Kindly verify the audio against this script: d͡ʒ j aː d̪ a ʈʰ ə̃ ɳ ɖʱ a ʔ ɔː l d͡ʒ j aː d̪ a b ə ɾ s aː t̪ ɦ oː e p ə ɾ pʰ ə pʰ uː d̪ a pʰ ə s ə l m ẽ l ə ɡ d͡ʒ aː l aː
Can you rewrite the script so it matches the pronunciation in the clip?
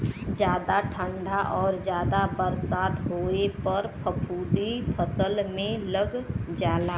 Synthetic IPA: d͡ʒ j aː d̪ a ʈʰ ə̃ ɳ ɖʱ a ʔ ɔː ɾ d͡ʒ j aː d̪ a b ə ɾ s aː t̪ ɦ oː e p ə ɾ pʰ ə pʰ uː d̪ i pʰ ə s ə l m ẽ l ə ɡ d͡ʒ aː l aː